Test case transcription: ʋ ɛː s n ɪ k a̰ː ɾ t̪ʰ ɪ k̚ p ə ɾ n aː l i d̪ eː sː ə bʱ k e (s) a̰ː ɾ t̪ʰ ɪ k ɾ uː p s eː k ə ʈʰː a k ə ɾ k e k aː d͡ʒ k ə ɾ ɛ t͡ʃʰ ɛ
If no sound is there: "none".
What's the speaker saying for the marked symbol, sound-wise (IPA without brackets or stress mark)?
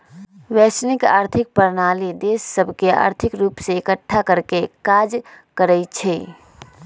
none